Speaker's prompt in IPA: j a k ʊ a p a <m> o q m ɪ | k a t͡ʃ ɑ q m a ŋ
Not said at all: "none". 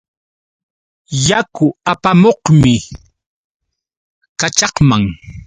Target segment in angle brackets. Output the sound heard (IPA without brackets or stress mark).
m